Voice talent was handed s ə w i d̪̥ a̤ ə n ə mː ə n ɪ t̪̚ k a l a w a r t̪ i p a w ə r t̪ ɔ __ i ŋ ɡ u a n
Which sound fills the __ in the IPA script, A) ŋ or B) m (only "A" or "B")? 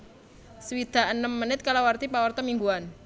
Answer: B